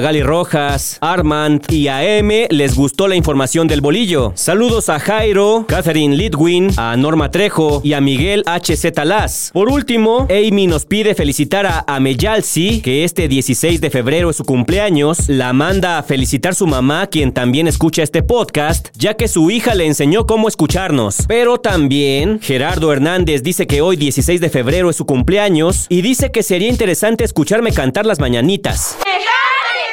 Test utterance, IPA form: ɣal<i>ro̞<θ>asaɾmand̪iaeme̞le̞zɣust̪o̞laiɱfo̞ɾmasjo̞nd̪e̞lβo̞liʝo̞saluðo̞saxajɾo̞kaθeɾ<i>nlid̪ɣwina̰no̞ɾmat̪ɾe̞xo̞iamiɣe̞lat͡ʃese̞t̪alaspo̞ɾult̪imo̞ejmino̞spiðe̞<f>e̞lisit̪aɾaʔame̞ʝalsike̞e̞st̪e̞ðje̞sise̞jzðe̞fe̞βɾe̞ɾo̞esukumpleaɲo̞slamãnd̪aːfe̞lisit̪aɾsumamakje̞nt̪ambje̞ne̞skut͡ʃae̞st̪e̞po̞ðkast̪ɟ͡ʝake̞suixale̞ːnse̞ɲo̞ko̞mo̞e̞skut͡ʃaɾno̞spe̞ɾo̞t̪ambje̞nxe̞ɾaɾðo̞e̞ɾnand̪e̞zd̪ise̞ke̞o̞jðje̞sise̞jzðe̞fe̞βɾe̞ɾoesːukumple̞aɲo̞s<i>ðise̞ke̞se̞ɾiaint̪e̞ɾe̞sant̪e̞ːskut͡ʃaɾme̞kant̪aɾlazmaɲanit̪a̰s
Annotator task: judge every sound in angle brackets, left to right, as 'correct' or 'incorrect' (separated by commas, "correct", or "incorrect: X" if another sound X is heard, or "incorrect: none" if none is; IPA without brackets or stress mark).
correct, incorrect: x, correct, correct, correct